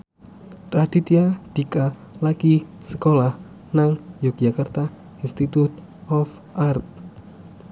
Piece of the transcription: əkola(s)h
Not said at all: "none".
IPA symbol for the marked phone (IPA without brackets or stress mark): none